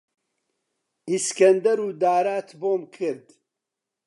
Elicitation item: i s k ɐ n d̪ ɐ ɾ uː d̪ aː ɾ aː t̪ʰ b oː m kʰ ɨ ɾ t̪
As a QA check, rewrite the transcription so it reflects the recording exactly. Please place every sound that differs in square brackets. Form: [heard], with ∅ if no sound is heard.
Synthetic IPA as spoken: i s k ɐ n d̪ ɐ ɾ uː d̪ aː ɾ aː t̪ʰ b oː m kʰ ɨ ɾ [d̪]